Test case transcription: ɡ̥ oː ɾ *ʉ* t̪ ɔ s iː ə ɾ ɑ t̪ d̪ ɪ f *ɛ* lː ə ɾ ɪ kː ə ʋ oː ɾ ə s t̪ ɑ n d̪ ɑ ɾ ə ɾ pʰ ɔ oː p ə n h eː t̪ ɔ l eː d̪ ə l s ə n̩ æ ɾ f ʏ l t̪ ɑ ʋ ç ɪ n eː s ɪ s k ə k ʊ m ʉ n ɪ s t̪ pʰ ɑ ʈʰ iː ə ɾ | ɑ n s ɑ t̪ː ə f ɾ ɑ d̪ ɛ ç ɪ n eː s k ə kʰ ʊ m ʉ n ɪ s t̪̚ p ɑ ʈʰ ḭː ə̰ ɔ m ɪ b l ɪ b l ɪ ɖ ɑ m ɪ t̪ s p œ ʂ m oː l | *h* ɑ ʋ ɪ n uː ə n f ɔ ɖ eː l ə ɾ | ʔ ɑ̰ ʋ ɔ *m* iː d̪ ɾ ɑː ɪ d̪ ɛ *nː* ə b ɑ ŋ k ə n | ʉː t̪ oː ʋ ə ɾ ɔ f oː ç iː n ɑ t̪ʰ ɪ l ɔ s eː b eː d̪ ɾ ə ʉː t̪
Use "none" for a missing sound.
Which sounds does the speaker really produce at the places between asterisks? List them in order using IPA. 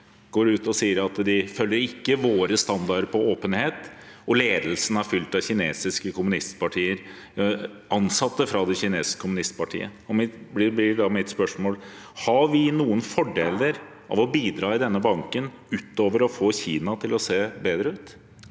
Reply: ʉː, œ, h, b, nː

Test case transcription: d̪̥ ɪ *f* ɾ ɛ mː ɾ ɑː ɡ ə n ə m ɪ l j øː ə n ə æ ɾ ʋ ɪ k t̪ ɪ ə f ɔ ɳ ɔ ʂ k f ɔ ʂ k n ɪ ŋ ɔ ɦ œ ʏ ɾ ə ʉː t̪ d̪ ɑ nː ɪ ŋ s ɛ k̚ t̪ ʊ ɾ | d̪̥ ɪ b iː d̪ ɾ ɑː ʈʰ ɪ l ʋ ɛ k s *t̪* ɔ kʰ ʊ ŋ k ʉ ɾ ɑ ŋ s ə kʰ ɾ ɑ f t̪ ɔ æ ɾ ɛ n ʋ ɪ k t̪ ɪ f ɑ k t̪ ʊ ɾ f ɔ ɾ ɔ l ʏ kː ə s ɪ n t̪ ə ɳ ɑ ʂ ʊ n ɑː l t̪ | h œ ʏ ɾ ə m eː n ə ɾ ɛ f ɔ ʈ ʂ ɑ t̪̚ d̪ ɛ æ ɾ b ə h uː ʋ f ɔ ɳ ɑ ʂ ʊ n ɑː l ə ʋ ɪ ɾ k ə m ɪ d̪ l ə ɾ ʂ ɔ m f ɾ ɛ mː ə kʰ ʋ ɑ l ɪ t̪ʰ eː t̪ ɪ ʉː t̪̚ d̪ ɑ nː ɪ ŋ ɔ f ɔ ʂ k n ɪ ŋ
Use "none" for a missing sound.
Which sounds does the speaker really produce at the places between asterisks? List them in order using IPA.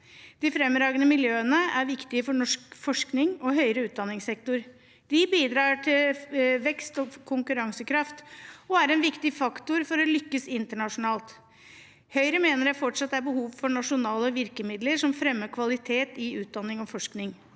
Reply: f, t̪

